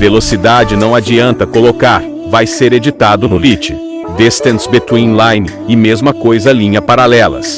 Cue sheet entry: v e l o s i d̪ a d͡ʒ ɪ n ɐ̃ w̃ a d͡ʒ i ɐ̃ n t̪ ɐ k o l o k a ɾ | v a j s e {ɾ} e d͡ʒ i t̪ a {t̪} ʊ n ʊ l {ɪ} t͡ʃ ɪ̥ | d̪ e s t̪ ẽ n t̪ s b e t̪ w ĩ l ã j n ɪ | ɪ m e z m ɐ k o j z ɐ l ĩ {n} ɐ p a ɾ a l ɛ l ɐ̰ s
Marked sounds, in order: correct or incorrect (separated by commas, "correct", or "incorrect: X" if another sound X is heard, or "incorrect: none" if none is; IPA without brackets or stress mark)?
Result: correct, incorrect: d̪, incorrect: i, incorrect: ɲ